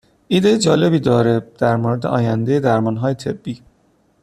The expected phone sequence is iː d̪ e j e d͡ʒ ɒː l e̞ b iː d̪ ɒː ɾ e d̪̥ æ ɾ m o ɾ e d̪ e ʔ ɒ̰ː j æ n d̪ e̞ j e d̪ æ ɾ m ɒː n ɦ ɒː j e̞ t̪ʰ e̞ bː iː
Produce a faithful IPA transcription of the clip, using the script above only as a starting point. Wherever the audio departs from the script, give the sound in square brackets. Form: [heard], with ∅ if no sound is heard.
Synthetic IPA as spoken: iː d̪ e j e d͡ʒ ɒː l e̞ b iː d̪ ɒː ɾ e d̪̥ æ ɾ m o ɾ e d̪ e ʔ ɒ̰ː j æ n d̪ e̞ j e d̪ æ ɾ m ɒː n ɦ ɒː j e̞ t̪ʰ e̞ bː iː